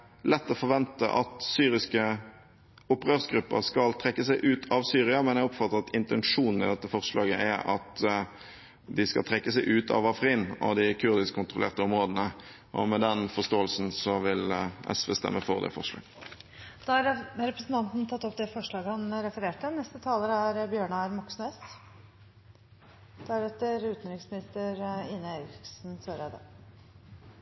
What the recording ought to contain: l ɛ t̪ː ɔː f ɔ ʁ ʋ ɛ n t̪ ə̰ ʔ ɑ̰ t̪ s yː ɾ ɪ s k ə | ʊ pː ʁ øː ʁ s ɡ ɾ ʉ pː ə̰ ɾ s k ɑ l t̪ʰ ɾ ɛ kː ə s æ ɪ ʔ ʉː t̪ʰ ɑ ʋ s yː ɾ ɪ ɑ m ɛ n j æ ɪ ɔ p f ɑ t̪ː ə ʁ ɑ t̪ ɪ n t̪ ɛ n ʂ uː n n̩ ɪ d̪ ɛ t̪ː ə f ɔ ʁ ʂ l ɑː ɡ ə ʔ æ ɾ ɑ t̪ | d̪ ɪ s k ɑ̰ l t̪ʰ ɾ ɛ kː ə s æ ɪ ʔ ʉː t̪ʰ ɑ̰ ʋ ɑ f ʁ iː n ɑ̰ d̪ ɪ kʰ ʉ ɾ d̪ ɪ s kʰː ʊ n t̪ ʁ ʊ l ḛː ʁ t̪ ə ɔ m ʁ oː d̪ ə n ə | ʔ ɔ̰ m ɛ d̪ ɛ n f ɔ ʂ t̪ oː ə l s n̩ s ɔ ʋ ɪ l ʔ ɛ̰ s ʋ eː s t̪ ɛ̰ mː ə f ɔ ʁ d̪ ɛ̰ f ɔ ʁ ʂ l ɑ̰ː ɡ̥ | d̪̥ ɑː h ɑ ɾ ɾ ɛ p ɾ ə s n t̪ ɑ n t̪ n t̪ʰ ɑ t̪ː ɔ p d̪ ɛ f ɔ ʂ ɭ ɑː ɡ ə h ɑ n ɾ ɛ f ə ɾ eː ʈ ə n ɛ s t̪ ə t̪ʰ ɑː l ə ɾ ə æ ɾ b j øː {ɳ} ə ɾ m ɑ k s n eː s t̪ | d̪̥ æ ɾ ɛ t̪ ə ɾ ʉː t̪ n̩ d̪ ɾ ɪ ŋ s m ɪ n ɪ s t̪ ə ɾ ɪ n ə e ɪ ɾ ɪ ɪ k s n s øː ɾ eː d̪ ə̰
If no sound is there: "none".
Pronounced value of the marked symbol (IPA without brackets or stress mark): ɳ